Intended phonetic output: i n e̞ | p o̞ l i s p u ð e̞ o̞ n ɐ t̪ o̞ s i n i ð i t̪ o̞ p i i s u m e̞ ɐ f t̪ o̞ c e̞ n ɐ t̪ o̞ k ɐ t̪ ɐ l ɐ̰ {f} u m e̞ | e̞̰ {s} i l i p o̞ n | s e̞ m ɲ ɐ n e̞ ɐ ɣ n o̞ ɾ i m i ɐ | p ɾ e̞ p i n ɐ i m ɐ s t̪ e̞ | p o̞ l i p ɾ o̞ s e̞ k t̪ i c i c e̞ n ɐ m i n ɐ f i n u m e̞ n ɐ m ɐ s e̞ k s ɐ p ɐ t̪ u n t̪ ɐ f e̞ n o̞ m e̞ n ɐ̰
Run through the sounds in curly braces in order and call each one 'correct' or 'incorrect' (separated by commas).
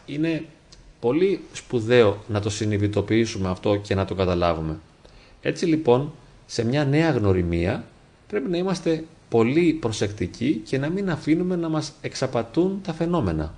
incorrect, incorrect